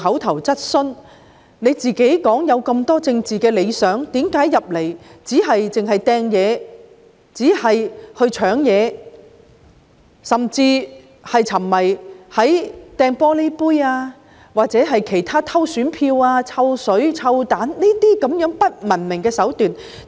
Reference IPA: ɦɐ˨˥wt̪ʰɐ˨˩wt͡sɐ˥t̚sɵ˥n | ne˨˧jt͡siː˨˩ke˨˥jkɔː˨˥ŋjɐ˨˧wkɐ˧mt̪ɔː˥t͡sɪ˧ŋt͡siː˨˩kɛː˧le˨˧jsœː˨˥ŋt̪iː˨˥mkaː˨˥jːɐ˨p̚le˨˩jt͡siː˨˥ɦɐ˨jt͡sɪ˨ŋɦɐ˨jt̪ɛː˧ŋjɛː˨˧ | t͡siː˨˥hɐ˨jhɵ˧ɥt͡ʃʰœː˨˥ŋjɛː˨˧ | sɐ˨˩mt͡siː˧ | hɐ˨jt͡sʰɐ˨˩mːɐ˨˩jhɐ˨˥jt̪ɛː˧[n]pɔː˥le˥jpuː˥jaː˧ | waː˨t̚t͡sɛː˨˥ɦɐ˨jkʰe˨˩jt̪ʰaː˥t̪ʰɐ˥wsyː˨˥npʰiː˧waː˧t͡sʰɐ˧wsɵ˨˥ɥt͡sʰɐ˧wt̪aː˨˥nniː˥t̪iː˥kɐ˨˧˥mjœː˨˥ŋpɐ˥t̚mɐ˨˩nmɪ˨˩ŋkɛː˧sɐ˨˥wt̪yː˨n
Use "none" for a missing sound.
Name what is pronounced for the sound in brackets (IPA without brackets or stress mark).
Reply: ŋ